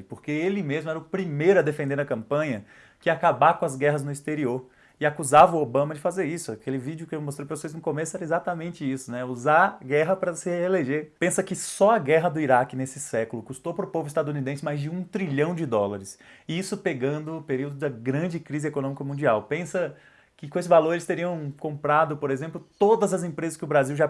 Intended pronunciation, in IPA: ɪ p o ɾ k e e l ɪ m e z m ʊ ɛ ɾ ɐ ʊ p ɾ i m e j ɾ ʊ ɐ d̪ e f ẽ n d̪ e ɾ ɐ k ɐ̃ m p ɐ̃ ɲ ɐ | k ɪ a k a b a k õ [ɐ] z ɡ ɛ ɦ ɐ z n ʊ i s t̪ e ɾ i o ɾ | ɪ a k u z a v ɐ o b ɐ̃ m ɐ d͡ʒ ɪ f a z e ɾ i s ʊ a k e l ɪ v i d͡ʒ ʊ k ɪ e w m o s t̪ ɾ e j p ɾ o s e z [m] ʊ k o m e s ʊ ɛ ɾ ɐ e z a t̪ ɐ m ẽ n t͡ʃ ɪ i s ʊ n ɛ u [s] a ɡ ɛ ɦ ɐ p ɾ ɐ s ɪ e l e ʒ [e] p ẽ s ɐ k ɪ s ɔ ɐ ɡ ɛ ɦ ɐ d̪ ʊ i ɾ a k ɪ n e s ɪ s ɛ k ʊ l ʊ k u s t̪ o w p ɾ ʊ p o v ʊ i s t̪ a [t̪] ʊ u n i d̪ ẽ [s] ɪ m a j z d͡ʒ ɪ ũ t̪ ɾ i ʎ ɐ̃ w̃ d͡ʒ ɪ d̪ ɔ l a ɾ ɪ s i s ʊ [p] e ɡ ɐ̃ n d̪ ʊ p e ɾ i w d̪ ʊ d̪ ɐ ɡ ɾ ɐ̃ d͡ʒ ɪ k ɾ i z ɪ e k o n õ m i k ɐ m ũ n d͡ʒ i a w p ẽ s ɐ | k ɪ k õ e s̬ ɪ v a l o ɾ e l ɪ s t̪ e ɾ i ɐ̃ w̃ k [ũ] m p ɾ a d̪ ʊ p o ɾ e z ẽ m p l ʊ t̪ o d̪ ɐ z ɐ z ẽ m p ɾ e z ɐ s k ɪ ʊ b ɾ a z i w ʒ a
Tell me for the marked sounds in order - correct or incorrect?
correct, incorrect, incorrect, correct, incorrect, correct, correct, incorrect

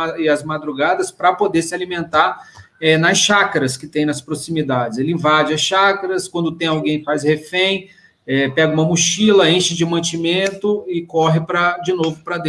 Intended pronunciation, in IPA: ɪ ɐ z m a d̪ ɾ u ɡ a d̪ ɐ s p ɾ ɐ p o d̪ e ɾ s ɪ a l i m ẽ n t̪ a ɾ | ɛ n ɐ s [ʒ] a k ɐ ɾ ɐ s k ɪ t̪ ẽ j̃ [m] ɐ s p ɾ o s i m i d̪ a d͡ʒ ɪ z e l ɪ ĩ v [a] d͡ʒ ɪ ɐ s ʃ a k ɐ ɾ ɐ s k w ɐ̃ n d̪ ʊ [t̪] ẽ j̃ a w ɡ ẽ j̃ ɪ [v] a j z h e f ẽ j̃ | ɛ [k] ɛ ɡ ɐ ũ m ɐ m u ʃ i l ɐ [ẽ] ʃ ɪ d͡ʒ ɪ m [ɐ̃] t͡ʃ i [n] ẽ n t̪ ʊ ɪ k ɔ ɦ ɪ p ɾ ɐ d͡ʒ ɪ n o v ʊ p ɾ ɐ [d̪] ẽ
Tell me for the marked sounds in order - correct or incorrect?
incorrect, incorrect, correct, correct, incorrect, incorrect, correct, correct, incorrect, correct

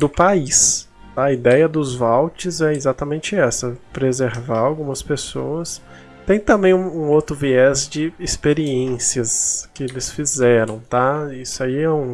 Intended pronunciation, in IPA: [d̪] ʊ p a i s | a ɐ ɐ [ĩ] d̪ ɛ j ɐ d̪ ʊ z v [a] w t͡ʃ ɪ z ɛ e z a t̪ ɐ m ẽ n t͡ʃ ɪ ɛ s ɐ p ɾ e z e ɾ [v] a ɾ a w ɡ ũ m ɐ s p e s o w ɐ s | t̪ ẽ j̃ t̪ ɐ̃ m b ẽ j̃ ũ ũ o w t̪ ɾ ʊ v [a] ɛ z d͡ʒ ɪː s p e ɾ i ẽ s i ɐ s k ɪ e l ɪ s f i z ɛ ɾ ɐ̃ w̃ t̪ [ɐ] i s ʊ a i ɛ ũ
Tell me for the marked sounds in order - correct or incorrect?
correct, incorrect, correct, correct, incorrect, incorrect

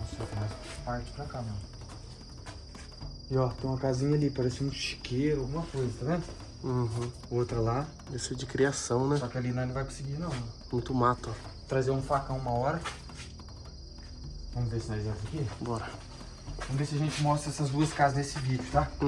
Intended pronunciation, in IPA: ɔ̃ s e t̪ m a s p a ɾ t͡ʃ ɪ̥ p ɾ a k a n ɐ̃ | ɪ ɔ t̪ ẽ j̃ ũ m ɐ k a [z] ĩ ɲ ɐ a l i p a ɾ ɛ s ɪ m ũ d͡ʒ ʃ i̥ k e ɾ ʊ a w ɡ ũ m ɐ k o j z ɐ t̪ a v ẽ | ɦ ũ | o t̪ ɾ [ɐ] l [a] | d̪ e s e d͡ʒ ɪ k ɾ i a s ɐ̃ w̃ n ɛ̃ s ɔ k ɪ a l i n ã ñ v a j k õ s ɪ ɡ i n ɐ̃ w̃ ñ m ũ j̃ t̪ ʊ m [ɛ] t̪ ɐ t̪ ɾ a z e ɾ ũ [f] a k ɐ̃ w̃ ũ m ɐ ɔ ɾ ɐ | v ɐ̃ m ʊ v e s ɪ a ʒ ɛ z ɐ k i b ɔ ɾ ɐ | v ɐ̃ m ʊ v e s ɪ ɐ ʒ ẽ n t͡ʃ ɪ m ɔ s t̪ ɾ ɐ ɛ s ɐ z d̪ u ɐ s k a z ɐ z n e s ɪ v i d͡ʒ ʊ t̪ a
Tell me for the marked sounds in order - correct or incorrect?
correct, correct, correct, incorrect, correct

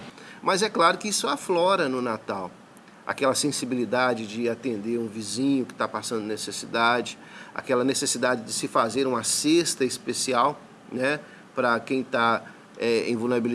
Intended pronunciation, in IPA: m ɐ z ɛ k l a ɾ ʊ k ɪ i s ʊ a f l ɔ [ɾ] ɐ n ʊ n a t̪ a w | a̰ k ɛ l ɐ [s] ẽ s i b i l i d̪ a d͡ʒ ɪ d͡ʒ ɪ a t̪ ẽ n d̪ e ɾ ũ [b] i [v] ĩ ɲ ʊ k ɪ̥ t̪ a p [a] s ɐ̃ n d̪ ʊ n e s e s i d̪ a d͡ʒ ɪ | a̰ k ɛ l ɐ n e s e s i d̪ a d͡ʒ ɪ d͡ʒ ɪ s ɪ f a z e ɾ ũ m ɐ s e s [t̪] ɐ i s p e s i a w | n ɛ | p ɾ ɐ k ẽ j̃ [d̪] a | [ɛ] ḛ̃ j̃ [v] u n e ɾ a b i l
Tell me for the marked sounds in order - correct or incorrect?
correct, correct, incorrect, incorrect, correct, correct, incorrect, correct, correct

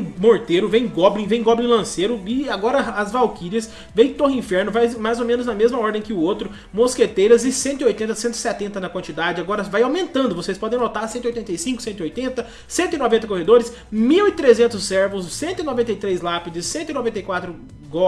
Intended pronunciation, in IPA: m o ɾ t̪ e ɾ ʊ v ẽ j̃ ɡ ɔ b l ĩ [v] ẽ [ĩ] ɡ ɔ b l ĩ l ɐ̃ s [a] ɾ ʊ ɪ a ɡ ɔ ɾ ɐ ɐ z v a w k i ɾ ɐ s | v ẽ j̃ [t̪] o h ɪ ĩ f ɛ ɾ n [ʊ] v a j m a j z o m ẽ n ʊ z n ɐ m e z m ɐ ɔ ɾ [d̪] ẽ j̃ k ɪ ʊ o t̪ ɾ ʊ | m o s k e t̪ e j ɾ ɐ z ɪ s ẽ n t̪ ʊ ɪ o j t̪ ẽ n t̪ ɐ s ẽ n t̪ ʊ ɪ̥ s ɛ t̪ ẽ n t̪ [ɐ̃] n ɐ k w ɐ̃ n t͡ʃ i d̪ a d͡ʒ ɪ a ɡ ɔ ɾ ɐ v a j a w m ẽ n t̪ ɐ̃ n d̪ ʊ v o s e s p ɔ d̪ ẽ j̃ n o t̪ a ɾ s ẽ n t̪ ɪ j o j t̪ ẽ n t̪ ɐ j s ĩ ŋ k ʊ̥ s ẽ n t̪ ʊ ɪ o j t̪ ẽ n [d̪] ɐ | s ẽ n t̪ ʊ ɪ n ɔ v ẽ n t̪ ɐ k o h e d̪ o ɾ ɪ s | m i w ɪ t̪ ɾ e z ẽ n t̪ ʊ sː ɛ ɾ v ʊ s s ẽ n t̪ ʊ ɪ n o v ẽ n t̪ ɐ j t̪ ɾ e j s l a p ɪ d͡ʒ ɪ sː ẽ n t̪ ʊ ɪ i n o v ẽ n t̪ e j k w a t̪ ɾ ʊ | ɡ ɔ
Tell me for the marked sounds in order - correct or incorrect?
correct, incorrect, incorrect, correct, correct, correct, incorrect, incorrect

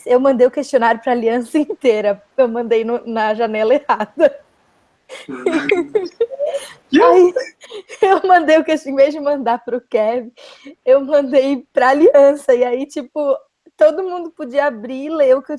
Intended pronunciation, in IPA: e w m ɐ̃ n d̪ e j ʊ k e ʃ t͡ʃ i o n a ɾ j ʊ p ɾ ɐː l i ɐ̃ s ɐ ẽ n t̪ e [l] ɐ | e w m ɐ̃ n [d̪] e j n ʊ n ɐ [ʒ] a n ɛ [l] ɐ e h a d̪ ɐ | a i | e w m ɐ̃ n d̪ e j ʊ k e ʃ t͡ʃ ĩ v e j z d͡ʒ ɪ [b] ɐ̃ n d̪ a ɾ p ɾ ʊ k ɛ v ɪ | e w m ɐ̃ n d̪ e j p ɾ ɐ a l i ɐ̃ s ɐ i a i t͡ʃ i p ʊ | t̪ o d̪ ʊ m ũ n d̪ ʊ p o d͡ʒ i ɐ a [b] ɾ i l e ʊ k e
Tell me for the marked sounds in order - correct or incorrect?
incorrect, correct, correct, correct, incorrect, correct

